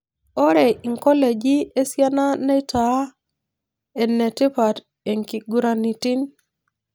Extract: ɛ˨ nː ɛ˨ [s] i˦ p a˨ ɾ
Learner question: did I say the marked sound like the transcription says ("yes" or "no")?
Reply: no